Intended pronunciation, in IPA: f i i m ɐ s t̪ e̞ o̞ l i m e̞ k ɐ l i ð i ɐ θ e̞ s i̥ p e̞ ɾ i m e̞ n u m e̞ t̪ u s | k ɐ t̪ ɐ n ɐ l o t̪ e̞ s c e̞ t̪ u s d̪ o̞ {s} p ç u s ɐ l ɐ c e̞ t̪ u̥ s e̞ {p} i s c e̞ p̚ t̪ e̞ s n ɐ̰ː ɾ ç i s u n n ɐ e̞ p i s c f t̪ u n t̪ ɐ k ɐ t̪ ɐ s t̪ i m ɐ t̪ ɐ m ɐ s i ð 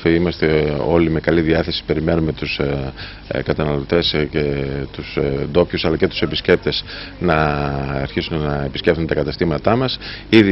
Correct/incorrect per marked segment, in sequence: incorrect: none, correct

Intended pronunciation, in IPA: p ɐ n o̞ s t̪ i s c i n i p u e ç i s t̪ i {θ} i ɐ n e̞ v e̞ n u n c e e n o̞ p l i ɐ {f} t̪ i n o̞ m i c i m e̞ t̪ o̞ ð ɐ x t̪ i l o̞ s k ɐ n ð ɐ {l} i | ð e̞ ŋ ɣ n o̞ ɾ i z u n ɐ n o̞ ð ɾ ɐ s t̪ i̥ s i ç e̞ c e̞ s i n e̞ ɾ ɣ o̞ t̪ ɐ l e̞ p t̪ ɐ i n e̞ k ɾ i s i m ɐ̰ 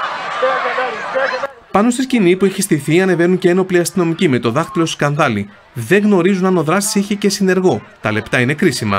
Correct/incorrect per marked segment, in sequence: correct, incorrect: s, correct

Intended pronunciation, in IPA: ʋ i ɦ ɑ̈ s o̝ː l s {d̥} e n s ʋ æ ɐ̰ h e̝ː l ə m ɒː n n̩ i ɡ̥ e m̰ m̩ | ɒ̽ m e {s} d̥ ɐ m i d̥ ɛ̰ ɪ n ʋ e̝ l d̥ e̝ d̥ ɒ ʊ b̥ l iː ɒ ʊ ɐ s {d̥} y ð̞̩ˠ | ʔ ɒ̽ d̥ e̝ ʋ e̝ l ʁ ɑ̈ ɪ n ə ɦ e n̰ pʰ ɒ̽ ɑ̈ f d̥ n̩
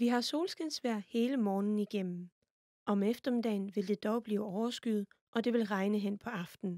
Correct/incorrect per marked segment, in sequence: incorrect: ɡ̥, incorrect: f, incorrect: ɡ̥

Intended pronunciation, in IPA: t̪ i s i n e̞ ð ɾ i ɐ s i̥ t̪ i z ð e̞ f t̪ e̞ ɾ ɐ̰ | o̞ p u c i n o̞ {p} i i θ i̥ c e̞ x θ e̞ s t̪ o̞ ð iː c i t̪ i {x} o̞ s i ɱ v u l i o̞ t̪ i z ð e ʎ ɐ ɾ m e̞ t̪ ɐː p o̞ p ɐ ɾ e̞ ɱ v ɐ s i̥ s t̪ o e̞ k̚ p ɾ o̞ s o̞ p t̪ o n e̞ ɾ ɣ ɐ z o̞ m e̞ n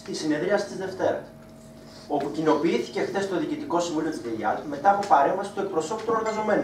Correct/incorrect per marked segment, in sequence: correct, incorrect: k

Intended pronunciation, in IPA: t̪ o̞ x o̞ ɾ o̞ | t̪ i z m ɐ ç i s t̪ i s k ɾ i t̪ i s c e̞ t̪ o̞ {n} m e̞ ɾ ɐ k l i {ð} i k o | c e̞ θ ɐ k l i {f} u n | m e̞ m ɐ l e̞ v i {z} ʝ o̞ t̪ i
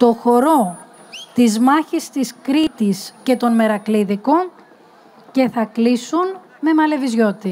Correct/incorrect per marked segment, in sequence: correct, correct, incorrect: s, correct

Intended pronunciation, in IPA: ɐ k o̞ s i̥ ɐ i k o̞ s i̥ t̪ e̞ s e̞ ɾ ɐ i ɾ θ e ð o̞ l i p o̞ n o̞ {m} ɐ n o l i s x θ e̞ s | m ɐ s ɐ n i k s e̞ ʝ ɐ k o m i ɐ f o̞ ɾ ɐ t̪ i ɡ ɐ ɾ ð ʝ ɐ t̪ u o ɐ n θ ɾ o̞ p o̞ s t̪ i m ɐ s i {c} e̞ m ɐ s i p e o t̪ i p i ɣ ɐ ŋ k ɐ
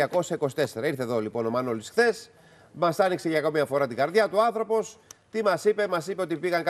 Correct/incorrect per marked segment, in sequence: correct, incorrect: p

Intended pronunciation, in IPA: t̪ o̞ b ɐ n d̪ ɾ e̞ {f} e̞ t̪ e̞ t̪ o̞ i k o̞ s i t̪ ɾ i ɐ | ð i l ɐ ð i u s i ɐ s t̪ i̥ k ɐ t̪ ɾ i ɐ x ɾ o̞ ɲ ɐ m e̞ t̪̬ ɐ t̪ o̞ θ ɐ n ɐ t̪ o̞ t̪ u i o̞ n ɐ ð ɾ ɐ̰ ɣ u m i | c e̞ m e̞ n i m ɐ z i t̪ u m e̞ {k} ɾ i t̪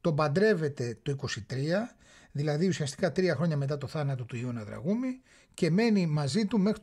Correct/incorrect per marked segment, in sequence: incorrect: v, incorrect: x

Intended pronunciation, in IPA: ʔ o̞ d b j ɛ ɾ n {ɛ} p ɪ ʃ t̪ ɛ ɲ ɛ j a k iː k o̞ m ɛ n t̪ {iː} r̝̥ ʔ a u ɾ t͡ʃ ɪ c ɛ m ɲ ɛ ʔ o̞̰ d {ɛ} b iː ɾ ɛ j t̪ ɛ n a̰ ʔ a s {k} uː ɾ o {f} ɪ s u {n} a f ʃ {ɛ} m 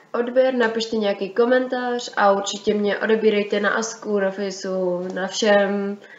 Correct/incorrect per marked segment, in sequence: incorrect: a, incorrect: aː, correct, correct, correct, correct, correct

